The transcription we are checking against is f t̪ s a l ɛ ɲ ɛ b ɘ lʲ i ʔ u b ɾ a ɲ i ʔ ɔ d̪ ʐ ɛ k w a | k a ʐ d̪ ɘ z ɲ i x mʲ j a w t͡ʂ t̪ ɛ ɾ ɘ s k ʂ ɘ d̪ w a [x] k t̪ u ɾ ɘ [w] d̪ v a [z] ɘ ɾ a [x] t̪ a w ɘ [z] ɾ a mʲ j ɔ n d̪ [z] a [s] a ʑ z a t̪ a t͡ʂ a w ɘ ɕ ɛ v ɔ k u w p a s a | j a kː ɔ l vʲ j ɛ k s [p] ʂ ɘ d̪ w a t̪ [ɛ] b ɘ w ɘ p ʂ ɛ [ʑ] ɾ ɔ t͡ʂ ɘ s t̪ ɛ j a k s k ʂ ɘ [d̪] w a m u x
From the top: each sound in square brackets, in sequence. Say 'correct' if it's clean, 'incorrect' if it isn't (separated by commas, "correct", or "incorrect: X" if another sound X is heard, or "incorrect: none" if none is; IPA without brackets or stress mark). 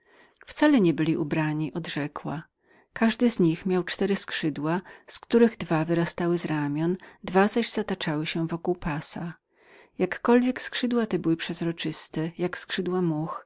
incorrect: s, incorrect: ɣ, incorrect: v, incorrect: s, correct, incorrect: v, incorrect: z, incorrect: k, correct, incorrect: z, correct